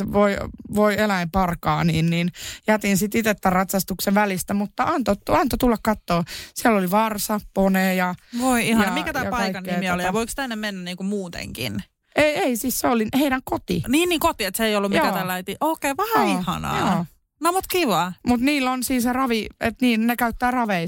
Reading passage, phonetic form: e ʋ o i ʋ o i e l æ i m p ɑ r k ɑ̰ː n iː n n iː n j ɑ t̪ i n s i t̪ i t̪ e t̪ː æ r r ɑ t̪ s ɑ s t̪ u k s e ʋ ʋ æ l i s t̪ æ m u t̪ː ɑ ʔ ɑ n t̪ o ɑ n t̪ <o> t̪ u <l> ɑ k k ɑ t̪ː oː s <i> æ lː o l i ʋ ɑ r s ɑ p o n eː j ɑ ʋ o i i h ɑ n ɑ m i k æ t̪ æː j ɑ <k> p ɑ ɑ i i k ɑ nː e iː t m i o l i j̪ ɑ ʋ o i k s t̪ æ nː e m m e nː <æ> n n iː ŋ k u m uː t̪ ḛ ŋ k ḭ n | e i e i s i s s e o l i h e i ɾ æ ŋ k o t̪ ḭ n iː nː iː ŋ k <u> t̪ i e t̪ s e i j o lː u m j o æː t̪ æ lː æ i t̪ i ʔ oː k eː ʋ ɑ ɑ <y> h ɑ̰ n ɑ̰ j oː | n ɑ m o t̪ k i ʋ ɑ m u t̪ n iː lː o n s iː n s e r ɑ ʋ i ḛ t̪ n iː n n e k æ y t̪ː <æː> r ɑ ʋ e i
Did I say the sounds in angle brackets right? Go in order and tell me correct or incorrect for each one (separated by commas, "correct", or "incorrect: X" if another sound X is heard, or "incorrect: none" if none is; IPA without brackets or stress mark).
correct, incorrect: lː, correct, correct, correct, incorrect: o, incorrect: i, correct